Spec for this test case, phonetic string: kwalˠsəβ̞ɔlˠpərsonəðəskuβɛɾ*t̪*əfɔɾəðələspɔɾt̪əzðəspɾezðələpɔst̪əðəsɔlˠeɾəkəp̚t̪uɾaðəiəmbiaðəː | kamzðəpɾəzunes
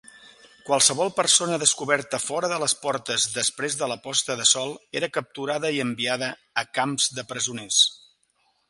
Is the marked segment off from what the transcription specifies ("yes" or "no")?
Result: no